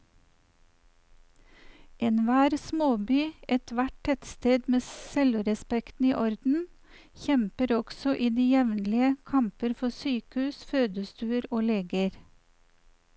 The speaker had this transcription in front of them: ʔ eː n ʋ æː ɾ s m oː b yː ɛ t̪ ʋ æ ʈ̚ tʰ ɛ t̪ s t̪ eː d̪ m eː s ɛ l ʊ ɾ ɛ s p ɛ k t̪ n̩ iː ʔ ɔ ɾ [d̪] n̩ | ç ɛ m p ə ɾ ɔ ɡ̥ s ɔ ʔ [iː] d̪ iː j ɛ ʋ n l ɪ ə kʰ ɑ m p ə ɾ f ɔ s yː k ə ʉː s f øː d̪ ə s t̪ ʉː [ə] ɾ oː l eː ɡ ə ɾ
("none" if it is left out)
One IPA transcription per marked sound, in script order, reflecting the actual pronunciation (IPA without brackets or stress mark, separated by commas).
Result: d̪, iː, ə